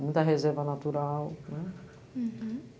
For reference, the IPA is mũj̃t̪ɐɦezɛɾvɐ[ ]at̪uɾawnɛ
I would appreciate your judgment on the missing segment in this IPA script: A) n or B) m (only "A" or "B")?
A